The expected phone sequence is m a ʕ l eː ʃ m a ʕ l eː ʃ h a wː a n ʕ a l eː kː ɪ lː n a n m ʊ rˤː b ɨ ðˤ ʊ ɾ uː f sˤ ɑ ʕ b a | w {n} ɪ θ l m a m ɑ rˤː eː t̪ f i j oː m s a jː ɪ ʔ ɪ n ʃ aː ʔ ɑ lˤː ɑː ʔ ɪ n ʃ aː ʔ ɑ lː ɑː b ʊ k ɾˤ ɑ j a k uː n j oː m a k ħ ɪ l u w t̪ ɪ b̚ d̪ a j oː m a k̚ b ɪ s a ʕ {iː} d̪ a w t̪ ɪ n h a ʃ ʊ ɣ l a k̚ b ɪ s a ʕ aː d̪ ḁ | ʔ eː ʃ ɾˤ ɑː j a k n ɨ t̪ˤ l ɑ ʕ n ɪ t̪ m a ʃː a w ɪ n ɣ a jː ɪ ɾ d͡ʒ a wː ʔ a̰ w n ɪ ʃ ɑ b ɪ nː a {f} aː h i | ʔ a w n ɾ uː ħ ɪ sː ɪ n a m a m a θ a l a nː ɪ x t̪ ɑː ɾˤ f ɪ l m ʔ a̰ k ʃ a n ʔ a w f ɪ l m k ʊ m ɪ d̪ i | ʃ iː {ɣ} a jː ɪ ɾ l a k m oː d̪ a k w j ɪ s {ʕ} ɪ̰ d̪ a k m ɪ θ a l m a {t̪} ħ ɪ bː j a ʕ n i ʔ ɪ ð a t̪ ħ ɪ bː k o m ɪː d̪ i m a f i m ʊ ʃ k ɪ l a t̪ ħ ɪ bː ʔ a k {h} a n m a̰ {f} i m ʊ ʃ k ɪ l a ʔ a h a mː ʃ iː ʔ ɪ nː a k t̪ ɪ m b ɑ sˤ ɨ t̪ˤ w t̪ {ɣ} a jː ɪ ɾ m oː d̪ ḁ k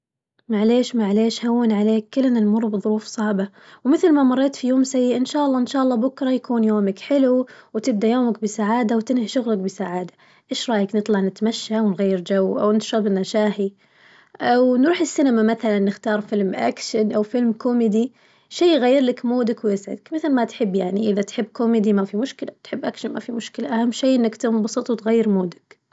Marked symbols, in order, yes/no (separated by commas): no, no, no, yes, yes, yes, no, yes, yes